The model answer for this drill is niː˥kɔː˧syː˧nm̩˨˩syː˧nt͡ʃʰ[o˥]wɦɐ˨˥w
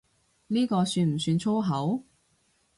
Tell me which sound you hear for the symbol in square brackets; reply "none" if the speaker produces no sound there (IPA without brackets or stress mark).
o˥